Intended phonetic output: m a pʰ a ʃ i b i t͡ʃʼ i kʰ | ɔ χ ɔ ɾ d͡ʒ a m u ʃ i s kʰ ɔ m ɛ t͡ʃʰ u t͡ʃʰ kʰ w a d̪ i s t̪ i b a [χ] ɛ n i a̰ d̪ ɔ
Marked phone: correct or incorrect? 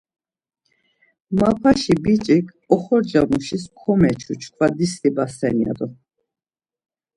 incorrect